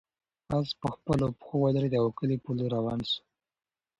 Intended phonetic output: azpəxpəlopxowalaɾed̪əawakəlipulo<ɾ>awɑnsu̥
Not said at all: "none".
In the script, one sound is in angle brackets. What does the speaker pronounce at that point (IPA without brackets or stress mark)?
ɾ